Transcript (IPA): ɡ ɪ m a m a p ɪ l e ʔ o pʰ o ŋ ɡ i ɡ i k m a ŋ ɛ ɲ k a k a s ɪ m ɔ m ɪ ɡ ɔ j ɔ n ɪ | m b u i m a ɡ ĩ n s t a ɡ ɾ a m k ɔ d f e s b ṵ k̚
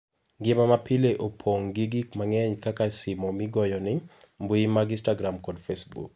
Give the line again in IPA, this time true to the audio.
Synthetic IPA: ɡ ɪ m a m a p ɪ l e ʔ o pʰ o ŋ ɡ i ɡ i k m a ŋ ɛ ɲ k a k a s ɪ m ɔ m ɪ ɡ ɔ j ɔ n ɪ | m b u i m a ɡ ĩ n s t a ɡ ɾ a m k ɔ d f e s b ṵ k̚